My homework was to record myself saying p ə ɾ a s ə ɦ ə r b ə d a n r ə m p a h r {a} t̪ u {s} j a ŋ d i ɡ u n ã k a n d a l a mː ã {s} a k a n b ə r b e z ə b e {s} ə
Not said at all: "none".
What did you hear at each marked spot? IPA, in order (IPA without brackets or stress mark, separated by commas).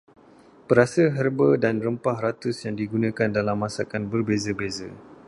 a, s, s, z